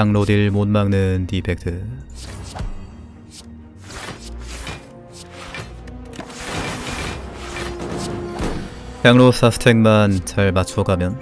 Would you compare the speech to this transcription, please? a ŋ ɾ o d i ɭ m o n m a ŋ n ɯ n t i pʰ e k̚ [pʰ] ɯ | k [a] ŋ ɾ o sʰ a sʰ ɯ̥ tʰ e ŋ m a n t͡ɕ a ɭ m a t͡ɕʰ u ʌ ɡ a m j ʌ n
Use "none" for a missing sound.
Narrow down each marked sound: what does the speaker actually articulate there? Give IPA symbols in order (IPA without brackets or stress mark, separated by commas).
tʰ, a